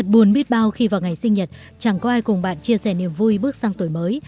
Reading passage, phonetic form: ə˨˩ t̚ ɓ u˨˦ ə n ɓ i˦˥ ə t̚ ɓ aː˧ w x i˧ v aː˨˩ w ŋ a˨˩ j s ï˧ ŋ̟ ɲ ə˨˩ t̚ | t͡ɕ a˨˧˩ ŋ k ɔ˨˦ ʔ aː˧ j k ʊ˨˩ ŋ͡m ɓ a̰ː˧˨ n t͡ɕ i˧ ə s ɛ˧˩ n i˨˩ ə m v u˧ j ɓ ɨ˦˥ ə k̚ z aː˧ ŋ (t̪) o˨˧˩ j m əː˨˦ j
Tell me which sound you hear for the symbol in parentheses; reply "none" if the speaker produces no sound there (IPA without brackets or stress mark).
t̪